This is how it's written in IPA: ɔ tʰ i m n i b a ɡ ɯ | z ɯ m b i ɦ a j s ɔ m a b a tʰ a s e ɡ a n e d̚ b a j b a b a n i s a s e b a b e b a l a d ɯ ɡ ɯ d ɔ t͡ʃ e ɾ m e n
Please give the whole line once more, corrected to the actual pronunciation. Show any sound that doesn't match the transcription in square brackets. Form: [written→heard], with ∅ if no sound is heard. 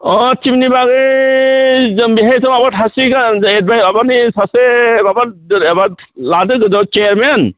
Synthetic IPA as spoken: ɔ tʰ i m n i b a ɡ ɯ | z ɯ m b i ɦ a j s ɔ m a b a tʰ a s [e→i] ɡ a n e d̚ b a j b a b a n i s a s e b a b [e→a] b a l a d ɯ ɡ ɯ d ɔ t͡ʃ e ɾ m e n

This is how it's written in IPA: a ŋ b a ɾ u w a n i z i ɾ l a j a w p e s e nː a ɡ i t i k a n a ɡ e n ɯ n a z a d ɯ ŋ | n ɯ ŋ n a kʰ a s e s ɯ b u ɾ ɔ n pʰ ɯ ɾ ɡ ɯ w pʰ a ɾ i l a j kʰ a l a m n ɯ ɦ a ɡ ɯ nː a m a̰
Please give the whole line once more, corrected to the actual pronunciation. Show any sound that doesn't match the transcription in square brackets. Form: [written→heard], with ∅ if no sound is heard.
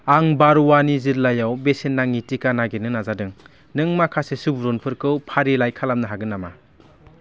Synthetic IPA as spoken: a ŋ b a ɾ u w a n i z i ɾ l a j a w [p→b] e s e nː a [ɡ→ŋ] i t i k a n a ɡ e n ɯ n a z a d ɯ ŋ | n ɯ ŋ [n→m] a kʰ a s e s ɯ b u ɾ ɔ n pʰ ɯ ɾ [ɡ→k] ɯ w pʰ a ɾ i l a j kʰ a l a m n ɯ ɦ a ɡ ɯ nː a m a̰

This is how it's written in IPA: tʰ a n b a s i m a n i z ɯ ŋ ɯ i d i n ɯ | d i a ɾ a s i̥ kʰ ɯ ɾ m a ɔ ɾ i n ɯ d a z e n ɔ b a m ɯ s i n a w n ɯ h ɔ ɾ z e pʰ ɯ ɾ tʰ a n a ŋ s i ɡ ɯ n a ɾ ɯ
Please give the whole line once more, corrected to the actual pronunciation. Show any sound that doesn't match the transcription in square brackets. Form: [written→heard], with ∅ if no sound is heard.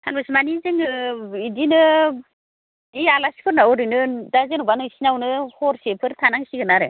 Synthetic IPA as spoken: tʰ a n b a s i m a n i z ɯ ŋ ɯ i d i n ɯ | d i a [ɾ→l] a s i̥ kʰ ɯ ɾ [m→n] a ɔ ɾ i n ɯ d a z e n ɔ b a [m→n] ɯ s i n a w n ɯ h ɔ ɾ [z→s] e pʰ ɯ ɾ tʰ a n a ŋ s i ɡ ɯ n a ɾ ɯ

